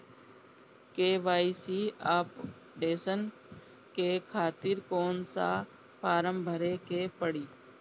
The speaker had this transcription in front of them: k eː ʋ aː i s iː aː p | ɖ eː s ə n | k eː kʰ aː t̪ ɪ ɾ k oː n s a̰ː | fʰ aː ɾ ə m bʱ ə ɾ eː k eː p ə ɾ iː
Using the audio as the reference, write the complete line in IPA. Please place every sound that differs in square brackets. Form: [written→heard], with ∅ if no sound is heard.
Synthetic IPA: k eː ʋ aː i s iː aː p | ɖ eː s ə n | k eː kʰ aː t̪ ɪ ɾ k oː n s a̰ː | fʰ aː ɾ ə m bʱ ə ɾ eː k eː p ə [ɾ→ɽ] iː